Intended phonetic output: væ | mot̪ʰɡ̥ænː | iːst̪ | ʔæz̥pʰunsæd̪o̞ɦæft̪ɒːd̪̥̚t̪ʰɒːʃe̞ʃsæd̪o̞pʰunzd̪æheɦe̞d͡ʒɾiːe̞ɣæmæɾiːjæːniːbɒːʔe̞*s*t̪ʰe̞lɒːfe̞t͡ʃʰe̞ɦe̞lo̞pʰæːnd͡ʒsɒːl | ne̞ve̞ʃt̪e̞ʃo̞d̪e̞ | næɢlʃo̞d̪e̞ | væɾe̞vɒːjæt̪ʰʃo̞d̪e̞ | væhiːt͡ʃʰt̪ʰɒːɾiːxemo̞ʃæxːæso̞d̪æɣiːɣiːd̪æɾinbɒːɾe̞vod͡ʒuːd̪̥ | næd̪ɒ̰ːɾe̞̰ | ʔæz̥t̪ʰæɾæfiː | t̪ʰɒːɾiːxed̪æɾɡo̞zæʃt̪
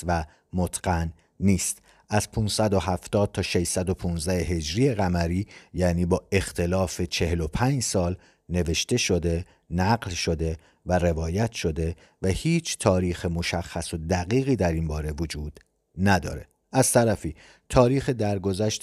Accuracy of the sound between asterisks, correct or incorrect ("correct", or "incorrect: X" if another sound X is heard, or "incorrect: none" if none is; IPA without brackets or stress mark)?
incorrect: x